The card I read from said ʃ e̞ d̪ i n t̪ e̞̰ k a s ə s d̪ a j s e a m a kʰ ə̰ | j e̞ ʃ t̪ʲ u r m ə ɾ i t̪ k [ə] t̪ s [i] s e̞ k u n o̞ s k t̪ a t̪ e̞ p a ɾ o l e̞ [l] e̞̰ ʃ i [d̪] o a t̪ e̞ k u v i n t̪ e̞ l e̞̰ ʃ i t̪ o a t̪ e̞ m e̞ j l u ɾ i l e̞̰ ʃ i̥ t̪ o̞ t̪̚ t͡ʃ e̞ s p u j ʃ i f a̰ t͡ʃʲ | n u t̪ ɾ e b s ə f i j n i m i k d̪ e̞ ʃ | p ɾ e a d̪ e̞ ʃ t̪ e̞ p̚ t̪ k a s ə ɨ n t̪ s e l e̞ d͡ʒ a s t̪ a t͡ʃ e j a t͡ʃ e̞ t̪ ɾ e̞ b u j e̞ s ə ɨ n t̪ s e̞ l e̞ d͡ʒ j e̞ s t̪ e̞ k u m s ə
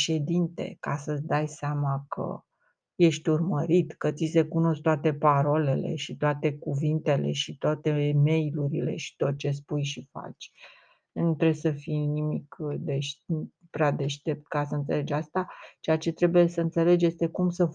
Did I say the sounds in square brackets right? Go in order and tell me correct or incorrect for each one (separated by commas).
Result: correct, correct, correct, incorrect